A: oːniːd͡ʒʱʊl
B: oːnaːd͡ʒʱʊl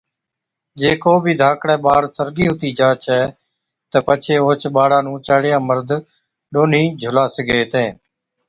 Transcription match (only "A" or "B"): A